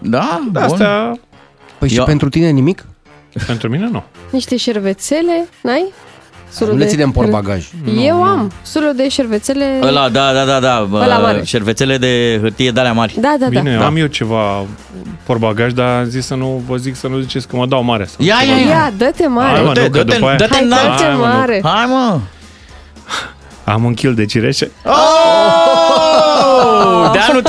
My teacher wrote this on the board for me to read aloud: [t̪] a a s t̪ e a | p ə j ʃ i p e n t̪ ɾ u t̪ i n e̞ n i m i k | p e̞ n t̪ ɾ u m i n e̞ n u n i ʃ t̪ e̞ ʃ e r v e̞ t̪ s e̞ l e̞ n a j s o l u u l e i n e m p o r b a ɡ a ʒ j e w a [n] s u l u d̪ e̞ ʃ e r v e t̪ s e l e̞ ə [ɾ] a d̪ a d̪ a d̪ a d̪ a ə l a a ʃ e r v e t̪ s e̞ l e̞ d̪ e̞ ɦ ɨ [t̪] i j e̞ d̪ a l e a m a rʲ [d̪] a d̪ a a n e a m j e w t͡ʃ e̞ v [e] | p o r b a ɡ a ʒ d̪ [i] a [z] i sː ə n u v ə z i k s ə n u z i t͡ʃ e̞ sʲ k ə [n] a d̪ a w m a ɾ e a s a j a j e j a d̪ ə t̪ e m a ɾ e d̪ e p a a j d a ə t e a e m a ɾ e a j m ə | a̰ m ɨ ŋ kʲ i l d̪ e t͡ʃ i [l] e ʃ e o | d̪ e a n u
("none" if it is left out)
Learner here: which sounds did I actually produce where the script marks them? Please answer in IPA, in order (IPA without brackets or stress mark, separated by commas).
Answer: d̪, m, l, t̪, d̪, a, a, z, m, ɾ